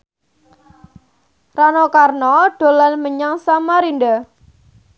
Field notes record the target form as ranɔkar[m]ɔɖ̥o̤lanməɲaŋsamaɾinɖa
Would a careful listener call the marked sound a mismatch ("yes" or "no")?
yes